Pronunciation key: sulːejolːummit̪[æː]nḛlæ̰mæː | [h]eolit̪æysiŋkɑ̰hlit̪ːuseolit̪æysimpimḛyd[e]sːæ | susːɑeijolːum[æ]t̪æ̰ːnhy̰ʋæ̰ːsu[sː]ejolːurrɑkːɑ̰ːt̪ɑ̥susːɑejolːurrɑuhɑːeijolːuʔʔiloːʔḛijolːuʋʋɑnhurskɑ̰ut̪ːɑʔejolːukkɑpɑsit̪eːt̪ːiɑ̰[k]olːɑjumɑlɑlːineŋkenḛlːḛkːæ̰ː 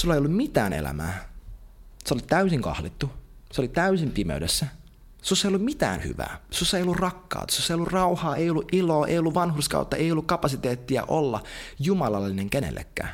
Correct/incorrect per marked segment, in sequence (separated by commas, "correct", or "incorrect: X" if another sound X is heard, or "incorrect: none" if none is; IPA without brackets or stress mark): correct, incorrect: s, correct, incorrect: i, correct, incorrect: ʔ